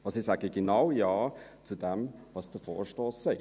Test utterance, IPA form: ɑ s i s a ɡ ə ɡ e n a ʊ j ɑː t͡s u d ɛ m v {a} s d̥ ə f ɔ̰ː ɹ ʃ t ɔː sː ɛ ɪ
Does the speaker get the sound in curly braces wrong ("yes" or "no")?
yes